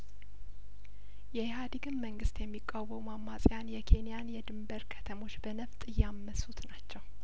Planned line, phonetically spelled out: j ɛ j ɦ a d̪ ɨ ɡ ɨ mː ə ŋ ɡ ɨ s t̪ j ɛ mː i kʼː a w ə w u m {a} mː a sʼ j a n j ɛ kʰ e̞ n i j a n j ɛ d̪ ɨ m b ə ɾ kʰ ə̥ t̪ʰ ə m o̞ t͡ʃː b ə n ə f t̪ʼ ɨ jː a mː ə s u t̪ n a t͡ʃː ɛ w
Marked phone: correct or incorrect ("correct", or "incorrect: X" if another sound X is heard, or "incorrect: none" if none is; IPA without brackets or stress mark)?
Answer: correct